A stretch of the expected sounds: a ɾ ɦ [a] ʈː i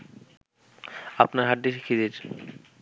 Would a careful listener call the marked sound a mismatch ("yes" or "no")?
no